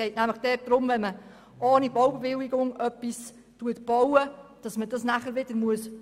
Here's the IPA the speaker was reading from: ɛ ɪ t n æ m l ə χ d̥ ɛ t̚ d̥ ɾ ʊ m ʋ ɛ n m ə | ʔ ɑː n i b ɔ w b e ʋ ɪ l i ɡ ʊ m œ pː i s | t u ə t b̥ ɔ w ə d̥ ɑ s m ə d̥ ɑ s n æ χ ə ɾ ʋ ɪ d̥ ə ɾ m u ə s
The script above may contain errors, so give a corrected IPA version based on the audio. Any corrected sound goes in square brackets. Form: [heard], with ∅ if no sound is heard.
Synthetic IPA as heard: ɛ ɪ t n æ m l ə χ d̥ ɛ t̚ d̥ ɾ ʊ m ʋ ɛ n m ə | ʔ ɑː n i b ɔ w b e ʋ ɪ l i ɡ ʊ [ŋ] œ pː i s | t u ə t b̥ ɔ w ə d̥ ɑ s m ə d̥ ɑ s n æ χ ə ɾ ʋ ɪ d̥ ə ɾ m u ə s